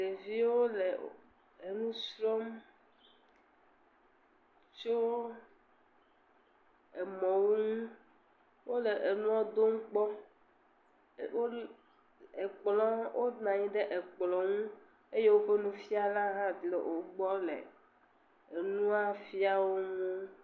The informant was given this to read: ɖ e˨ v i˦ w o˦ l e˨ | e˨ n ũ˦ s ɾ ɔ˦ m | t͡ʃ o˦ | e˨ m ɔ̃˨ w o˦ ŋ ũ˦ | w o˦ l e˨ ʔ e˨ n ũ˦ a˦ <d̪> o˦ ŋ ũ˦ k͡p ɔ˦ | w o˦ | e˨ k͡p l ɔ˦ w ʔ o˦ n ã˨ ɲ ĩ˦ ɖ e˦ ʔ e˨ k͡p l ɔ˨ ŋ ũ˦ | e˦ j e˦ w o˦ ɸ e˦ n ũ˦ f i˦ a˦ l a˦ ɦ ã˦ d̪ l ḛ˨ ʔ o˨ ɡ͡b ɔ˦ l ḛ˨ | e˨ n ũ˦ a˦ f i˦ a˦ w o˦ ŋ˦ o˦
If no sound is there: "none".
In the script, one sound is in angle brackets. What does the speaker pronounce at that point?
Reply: d̪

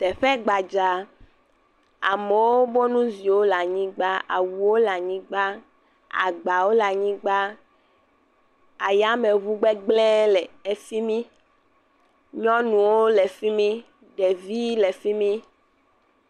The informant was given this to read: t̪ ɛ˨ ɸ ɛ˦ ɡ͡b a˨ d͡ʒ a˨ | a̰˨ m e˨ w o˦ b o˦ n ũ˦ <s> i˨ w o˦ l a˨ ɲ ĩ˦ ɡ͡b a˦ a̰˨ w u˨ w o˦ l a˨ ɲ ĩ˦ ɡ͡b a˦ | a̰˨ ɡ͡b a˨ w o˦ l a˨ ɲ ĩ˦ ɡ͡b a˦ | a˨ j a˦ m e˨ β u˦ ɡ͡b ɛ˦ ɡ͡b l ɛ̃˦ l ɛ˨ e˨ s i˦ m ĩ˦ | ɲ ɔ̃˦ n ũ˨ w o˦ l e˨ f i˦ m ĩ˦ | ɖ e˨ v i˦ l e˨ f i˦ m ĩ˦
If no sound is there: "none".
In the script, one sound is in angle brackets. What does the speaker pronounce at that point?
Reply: z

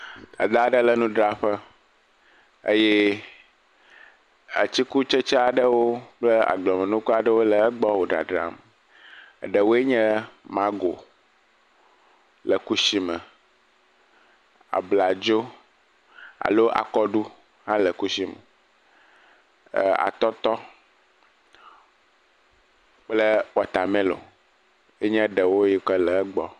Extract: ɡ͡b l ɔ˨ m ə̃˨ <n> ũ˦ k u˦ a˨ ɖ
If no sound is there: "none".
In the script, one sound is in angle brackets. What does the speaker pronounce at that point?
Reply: n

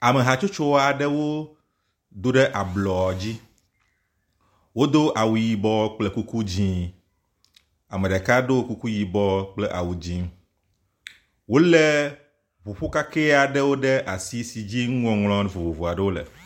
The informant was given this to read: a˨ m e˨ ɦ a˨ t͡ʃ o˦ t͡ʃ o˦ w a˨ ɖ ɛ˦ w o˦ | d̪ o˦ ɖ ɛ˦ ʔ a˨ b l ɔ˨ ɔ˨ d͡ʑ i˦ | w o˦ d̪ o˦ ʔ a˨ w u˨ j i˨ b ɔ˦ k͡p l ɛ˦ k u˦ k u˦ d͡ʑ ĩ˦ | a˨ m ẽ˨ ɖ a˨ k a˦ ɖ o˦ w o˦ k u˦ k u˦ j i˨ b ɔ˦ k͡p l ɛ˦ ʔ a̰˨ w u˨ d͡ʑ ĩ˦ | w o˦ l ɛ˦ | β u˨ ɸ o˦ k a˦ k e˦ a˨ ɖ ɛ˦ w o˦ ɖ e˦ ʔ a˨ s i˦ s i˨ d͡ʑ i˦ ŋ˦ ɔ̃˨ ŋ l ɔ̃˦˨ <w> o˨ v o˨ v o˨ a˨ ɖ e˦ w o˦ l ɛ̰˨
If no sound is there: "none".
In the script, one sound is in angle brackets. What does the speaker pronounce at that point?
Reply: v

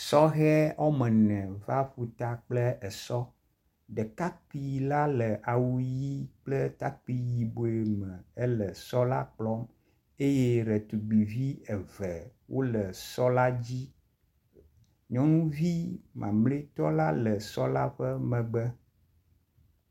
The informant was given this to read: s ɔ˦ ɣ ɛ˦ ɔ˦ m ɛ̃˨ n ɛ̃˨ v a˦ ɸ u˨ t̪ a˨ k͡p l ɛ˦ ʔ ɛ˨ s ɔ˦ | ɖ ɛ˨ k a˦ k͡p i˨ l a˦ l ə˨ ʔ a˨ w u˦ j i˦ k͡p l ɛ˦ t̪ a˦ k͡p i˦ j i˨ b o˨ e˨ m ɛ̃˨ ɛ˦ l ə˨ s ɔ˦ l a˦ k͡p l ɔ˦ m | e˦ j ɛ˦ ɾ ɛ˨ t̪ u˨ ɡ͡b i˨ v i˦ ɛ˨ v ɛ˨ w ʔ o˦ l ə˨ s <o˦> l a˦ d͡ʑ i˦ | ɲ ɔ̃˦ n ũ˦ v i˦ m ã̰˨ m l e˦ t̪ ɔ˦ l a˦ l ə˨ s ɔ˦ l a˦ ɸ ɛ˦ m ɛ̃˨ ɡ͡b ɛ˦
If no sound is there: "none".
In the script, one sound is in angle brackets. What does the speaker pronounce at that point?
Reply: ɔ˦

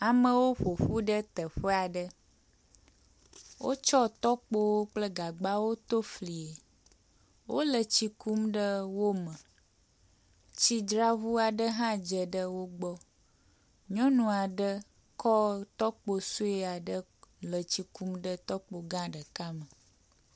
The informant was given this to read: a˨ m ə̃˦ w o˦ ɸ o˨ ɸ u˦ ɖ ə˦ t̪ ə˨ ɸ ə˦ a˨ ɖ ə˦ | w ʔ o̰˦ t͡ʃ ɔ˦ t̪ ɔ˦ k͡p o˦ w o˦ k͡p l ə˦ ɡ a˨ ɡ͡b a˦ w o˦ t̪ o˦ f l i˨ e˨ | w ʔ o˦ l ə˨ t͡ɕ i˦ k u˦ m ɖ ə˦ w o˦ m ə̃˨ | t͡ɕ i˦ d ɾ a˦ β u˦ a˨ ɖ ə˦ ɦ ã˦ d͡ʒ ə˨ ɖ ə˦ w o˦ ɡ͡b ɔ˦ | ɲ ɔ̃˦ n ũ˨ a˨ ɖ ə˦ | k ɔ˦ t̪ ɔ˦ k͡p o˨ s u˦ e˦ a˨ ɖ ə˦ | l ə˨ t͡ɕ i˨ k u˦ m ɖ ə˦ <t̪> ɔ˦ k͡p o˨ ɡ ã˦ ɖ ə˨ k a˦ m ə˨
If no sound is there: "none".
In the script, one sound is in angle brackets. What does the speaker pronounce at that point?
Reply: t̪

